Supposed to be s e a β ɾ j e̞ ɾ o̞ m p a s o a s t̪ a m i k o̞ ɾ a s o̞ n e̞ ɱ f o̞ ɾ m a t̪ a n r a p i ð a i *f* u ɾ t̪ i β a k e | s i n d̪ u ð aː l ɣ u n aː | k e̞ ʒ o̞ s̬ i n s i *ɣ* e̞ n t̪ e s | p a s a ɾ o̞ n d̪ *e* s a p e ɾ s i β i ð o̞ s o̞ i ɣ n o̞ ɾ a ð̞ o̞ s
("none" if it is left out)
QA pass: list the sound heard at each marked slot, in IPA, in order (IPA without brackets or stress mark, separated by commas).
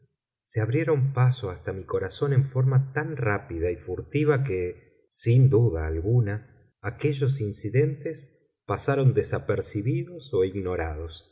f, ð, e